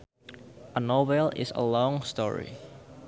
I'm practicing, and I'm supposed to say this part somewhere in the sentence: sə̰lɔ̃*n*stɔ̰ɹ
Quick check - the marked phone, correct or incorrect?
incorrect